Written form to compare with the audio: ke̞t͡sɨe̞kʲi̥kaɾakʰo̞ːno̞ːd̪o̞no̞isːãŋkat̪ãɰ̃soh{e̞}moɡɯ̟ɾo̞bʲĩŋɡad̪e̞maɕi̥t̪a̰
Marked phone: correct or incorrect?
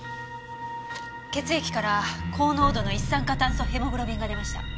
correct